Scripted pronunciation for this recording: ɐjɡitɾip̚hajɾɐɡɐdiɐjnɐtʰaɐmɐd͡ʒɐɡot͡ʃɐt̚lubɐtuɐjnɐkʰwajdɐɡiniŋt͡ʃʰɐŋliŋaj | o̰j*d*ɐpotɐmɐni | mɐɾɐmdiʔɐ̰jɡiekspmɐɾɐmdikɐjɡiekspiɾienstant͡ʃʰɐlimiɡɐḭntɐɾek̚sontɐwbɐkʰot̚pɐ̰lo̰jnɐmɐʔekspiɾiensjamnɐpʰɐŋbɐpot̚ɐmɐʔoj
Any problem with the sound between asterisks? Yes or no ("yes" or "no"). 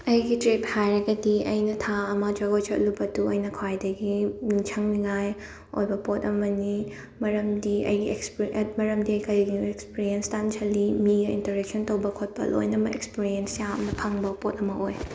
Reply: yes